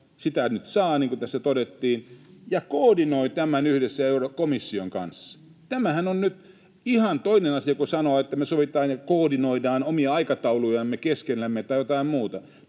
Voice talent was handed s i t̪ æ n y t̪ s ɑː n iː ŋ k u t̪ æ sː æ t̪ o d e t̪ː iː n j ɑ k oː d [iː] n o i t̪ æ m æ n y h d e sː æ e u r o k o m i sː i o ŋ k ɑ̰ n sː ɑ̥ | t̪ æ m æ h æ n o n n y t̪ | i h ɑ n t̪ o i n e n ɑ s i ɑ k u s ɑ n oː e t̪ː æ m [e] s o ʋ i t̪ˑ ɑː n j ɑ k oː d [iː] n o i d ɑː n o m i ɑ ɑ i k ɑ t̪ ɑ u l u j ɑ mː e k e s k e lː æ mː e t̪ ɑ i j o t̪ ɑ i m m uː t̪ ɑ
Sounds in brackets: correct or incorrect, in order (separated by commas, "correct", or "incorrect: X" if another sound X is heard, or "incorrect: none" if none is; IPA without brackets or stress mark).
incorrect: i, correct, incorrect: i